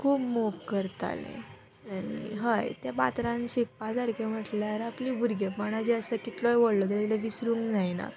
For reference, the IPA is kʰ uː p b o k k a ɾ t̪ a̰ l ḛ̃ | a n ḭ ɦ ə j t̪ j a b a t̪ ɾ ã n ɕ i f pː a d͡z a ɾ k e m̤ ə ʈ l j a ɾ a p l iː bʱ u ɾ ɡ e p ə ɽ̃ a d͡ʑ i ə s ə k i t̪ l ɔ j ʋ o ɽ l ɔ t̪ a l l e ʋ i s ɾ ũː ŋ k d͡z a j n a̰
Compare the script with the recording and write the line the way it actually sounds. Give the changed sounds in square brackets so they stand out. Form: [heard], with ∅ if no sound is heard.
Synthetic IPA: kʰ uː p [m] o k k [ə] ɾ t̪ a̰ l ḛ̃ | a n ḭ ɦ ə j t̪ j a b a t̪ ɾ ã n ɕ i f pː a d͡z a ɾ k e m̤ ə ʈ l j a ɾ a p l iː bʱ u ɾ ɡ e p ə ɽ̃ a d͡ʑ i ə s ə k i t̪ l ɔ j ʋ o ɽ l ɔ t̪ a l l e ʋ i s ɾ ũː ŋ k d͡z a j n a̰